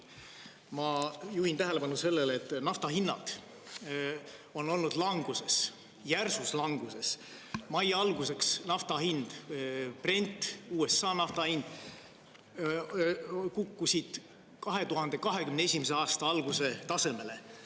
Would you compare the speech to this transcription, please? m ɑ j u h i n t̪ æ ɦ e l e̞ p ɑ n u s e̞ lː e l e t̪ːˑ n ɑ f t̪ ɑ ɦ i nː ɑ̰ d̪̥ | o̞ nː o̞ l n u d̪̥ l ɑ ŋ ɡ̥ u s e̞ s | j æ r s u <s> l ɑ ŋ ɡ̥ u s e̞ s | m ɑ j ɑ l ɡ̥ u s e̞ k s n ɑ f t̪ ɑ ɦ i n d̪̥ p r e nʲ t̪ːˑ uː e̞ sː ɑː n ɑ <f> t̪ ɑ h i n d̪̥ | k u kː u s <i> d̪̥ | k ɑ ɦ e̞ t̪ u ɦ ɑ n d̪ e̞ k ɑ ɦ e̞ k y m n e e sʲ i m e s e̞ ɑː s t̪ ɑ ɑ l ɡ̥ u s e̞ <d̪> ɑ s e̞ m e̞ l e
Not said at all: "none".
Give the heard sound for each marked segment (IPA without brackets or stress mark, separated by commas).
s, f, i, t̪